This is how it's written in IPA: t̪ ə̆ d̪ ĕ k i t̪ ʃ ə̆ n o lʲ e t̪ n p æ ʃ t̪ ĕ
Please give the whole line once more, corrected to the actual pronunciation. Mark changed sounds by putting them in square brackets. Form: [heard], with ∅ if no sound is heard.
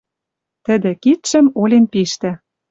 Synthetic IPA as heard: t̪ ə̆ d̪ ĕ k i t̪ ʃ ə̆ [m] o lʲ e [∅] n p [i] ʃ t̪ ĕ